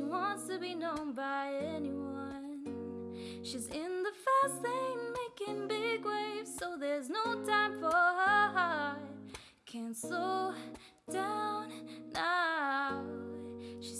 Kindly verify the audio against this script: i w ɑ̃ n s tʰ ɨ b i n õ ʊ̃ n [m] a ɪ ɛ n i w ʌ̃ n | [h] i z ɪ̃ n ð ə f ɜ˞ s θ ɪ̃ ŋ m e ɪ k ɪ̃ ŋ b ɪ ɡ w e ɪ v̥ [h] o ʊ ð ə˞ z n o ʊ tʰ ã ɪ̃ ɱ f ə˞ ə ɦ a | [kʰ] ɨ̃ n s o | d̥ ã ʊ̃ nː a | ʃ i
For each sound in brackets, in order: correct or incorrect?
incorrect, incorrect, incorrect, correct

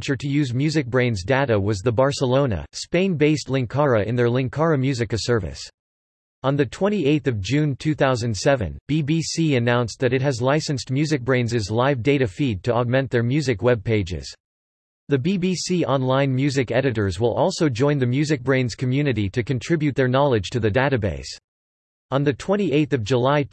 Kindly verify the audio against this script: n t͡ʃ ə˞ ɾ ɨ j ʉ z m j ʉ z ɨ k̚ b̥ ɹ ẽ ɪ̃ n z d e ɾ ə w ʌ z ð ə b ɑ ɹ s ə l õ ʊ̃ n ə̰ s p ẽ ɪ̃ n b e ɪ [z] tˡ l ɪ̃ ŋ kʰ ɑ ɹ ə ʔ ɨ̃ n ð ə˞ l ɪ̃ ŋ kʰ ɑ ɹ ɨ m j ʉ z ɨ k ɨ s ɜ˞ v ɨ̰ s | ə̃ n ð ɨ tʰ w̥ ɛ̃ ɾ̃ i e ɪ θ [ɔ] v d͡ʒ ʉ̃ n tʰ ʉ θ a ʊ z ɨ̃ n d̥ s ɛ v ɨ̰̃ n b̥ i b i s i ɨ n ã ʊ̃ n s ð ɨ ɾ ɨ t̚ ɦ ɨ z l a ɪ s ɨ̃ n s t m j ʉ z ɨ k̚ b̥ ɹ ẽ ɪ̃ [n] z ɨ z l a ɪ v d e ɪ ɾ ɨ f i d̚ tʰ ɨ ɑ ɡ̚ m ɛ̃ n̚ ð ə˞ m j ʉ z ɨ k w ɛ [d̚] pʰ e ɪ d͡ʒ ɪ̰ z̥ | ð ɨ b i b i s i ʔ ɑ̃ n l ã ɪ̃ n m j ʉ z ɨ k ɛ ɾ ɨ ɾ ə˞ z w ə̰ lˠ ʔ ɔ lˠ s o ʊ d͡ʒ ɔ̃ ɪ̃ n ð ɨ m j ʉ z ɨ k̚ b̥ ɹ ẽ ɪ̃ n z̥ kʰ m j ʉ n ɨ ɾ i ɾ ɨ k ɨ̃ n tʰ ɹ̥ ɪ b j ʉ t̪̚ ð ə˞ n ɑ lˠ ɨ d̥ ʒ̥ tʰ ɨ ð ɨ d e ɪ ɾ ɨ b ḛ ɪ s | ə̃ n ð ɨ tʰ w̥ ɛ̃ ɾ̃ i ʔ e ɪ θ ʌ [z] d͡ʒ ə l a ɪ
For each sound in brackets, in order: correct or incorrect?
incorrect, incorrect, correct, incorrect, incorrect

